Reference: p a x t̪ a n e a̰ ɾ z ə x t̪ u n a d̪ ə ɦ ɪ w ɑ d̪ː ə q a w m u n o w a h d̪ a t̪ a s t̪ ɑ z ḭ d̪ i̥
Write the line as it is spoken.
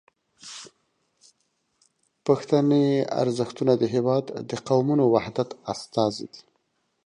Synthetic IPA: p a x t̪ a n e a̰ ɾ z ə x t̪ u n a d̪ ə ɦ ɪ w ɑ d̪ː ə q a w m u n o w a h d̪ a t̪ a s t̪ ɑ z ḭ d̪ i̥